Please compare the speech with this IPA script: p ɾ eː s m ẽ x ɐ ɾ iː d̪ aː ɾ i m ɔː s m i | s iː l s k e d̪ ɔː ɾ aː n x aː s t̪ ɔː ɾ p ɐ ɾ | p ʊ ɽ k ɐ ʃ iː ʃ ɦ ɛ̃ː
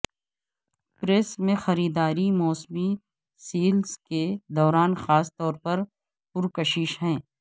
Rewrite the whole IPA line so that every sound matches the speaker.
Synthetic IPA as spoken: p ɾ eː s m ẽ x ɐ ɾ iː d̪ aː ɾ i m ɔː s m i | s iː l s k e d̪ ɔː ɾ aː n x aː s t̪ ɔː ɾ p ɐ ɾ | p ʊ ɾ k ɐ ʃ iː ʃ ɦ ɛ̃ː

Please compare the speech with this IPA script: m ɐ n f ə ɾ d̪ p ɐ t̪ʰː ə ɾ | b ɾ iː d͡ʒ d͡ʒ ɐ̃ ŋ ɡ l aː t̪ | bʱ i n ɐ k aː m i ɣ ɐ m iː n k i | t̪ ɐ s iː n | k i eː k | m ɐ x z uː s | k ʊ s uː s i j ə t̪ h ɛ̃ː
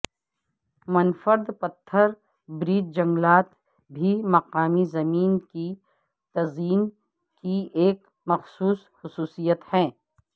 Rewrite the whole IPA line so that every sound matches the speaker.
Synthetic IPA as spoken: m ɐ n f ə ɾ d̪ p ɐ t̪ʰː ə ɾ | b ɾ iː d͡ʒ d͡ʒ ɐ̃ ŋ ɡ l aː t̪ | bʱ i m ɐ q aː m i z ɐ m iː n k i | t̪ ɐ z iː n | k i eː k | m ɐ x s uː s | x ʊ s uː s i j ə t̪ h ɛ̃ː

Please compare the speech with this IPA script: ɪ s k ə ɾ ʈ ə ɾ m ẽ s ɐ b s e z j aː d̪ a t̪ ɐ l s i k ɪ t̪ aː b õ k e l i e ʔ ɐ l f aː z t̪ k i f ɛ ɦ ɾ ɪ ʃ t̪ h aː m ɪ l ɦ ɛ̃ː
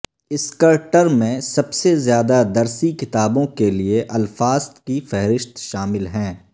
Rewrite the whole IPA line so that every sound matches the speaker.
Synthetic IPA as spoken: ɪ s k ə ɾ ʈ ə ɾ m ẽ s ɐ b s e z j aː d̪ a d̪ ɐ ɾ s i k ɪ t̪ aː b õ k e l i e ʔ ɐ l f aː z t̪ k i f ɛ ɦ ɾ ɪ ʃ t̪ ʃ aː m ɪ l ɦ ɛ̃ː

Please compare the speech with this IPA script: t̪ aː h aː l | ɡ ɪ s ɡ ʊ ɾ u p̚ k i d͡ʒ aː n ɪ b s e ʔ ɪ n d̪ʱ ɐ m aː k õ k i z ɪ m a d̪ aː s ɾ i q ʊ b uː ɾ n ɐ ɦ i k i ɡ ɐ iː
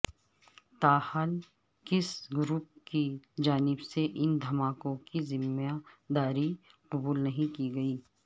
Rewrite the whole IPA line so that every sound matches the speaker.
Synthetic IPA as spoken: t̪ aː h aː l | k ɪ s ɡ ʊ ɾ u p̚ k i d͡ʒ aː n ɪ b s e ʔ ɪ n d̪ʱ ɐ m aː k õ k i z ɪ m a d̪ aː ɾ i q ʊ b uː l n ɐ ɦ ĩ k i ɡ ɐ iː

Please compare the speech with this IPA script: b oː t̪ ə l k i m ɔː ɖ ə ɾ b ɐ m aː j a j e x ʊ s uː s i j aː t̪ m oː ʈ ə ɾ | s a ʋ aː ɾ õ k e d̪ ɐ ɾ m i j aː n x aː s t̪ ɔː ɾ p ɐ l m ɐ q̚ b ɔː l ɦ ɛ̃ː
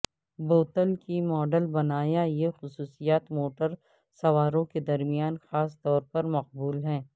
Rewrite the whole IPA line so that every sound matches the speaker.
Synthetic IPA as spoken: b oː t̪ ə l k i m ɔː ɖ ə l b ɐ n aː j a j e x ʊ s uː s i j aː t̪ m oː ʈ ə ɾ | s ɐ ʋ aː ɾ õ k e d̪ ɐ ɾ m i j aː n x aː s t̪ ɔː ɾ p ɐ ɾ m ɐ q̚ b uː l ɦ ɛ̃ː

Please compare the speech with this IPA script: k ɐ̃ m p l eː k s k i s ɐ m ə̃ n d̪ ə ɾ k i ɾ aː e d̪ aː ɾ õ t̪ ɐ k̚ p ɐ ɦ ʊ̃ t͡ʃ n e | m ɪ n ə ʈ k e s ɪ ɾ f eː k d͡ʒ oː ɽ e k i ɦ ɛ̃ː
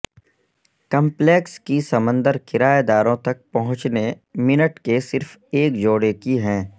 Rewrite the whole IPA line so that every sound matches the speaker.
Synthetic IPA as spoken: k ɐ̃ m p l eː k s k i s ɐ m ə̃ n d̪ ə ɾ k ɪ ɾ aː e d̪ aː ɾ õ t̪ ɐ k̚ p ɐ ɦ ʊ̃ t͡ʃ n e | m ɪ n ə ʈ k e s ɪ ɾ f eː k d͡ʒ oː ɽ e k i ɦ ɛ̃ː

